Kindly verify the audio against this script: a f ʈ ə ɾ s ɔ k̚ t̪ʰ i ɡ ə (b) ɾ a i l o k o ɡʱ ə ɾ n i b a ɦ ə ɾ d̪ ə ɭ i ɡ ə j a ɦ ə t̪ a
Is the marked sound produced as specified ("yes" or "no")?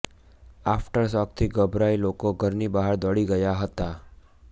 yes